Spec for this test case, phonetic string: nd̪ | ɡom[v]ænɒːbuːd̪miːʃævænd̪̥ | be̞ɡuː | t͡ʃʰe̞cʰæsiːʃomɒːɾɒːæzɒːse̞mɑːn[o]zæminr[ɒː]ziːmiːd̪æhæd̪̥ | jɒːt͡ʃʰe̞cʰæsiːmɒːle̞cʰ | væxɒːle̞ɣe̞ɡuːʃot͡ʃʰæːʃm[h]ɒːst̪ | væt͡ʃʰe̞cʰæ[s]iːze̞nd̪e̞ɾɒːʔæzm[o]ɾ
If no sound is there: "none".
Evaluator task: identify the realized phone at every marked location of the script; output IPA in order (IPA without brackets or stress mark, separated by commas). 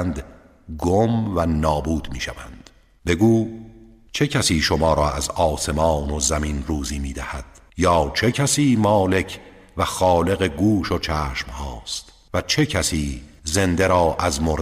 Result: v, o, uː, h, s, o